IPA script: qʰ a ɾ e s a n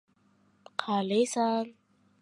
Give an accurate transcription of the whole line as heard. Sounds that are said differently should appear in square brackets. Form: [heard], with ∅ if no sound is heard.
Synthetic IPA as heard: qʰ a [l] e s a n

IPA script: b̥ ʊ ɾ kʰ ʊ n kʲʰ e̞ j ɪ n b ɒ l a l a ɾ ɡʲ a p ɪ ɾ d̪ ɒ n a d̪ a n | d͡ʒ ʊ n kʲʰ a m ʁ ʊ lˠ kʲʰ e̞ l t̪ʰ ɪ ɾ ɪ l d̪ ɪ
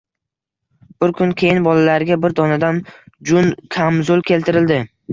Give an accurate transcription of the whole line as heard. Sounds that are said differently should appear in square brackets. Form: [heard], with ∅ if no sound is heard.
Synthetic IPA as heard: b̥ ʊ ɾ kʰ ʊ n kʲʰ e̞ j ɪ n b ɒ l a l a ɾ ɡʲ a [b] ɪ ɾ d̪ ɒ n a d̪ a n | d͡ʒ ʊ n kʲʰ a m [z] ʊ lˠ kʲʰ e̞ l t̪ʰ ɪ ɾ ɪ l d̪ ɪ

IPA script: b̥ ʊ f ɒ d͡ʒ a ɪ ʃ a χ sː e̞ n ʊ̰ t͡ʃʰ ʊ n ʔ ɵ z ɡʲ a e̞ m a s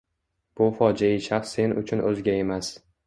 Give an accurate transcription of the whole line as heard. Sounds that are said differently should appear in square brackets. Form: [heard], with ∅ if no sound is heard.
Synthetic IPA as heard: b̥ ʊ f ɒ d͡ʒ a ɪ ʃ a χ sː e̞ n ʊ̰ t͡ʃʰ ʊ n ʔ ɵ z ɡʲ a e̞ m a s

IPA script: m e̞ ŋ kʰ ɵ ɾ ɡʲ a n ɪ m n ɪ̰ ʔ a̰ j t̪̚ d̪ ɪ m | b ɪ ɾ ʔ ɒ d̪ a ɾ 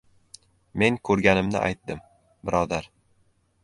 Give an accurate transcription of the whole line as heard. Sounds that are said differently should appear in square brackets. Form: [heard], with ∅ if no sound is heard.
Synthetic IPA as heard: m e̞ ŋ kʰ ɵ ɾ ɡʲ a n ɪ m n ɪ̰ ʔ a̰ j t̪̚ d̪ ɪ m | b ɪ ɾ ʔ ɒ d̪ a ɾ

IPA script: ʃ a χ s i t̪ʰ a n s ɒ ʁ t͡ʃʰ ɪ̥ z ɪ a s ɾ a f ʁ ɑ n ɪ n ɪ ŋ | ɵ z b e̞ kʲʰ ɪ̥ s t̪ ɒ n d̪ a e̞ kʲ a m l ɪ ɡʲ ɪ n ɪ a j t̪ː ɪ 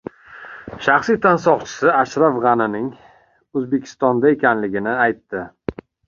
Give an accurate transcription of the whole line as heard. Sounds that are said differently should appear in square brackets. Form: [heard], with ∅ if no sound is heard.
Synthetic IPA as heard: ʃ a χ s i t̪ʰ a n s ɒ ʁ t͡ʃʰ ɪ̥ [s] ɪ a [ʃ] ɾ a f ʁ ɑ n ɪ n ɪ ŋ | ɵ z b e̞ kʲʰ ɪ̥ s t̪ ɒ n d̪ a e̞ kʲ a [n] l ɪ ɡʲ ɪ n ɪ a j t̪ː ɪ

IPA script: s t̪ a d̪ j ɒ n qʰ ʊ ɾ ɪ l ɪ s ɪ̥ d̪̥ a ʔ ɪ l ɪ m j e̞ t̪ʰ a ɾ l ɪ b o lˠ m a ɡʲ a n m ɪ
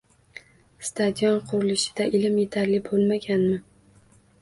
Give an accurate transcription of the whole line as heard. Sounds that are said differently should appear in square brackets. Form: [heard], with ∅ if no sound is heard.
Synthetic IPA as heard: s t̪ a d̪ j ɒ n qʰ ʊ ɾ ɪ l ɪ [ʃ] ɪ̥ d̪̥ a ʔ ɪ l ɪ m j e̞ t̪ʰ a ɾ l ɪ b o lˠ m a ɡʲ a n m ɪ

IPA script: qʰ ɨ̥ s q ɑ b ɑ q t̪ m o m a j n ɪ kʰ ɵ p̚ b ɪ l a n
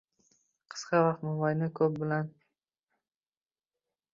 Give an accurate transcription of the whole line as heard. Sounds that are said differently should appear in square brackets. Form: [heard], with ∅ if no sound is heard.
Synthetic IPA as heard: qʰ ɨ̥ s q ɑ [v] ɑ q t̪ m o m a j n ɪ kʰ ɵ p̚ b ɪ l a n

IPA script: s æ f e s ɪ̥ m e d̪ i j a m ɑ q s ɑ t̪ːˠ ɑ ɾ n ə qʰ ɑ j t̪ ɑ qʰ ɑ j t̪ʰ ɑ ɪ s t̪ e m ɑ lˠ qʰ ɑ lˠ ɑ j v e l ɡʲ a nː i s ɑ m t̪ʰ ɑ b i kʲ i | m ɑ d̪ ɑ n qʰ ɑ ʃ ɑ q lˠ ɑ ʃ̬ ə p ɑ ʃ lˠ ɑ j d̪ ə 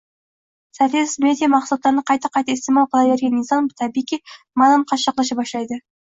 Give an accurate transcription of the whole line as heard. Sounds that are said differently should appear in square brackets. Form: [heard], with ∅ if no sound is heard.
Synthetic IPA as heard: s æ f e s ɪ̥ m e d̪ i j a m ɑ q s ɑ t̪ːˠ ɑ ɾ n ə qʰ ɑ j t̪ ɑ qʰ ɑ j [t̪] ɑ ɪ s t̪ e m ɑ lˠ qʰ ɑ lˠ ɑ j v e [ɾ] ɡʲ [e] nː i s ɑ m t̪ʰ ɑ b i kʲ i | m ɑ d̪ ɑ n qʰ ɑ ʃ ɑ q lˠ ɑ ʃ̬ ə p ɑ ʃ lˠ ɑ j d̪ ə

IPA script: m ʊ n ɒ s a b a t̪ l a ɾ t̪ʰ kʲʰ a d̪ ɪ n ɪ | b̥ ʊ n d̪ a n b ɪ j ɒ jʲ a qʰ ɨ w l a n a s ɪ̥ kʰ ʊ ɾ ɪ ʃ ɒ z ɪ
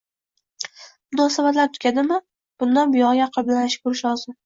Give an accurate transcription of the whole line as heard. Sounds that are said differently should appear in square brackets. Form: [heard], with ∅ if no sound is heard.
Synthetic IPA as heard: m ʊ n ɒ s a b a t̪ l a ɾ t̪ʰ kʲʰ a d̪ ɪ [m] ɪ | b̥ ʊ n d̪ a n b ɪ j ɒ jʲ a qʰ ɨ [b] l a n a [ʃ] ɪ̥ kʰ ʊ ɾ ɪ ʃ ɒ z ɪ

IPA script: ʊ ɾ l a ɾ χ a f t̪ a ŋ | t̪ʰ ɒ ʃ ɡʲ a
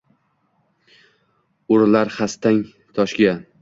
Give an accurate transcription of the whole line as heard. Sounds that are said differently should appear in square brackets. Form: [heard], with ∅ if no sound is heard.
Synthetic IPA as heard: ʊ ɾ l a ɾ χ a [s] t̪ a ŋ | t̪ʰ ɒ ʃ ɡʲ a

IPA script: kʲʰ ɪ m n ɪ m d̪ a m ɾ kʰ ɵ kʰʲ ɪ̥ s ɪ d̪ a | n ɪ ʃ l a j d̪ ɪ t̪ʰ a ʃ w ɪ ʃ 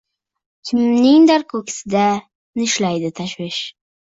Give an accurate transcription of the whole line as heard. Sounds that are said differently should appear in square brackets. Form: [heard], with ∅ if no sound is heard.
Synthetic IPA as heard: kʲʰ ɪ m n ɪ [ŋ] d̪ a [∅] ɾ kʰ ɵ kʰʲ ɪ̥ s ɪ d̪ a | n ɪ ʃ l a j d̪ ɪ t̪ʰ a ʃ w ɪ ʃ

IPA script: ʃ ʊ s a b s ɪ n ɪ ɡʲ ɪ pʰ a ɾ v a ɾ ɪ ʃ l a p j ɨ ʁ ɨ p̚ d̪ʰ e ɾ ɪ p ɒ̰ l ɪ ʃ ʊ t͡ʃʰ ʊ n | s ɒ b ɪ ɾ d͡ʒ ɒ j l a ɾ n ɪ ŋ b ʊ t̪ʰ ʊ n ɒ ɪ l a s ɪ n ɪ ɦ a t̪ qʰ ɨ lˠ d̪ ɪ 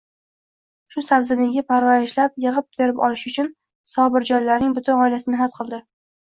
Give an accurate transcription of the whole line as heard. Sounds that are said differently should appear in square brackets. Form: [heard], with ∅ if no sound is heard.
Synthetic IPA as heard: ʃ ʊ s a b [z] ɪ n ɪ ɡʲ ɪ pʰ a ɾ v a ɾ ɪ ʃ l a p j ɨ ʁ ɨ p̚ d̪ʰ e ɾ ɪ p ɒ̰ l ɪ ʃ ʊ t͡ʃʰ ʊ n | s ɒ b ɪ ɾ d͡ʒ ɒ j l a ɾ n ɪ ŋ b ʊ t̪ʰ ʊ n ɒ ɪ l a s ɪ n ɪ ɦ a t̪ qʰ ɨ lˠ d̪ ɪ

